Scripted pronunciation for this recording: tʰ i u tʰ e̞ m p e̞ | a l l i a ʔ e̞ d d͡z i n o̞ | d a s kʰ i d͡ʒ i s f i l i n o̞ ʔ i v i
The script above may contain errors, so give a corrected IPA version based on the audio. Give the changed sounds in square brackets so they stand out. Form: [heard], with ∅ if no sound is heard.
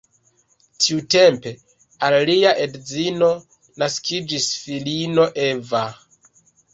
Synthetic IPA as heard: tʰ i u [t] e̞ m p e̞ | a l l i a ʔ e̞ d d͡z i n o̞ | [n] a s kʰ i d͡ʒ i s f i l i n o̞ ʔ [e] v [a]